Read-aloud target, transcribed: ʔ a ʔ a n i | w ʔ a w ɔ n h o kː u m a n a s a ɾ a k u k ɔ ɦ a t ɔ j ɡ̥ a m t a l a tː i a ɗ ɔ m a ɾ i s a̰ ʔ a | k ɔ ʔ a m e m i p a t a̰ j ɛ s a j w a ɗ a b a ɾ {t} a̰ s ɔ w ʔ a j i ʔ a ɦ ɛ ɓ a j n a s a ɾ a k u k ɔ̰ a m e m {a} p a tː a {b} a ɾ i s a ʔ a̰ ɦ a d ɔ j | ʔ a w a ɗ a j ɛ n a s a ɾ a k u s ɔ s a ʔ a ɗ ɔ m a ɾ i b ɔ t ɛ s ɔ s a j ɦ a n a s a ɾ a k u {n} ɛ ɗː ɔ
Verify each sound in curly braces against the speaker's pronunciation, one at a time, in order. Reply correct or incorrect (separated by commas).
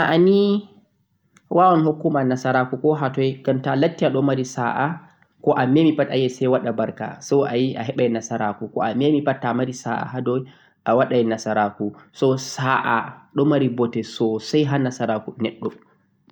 incorrect, incorrect, incorrect, correct